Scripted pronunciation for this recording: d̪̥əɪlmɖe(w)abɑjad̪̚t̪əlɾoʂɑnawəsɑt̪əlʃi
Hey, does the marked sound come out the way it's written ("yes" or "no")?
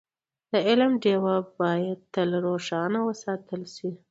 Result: yes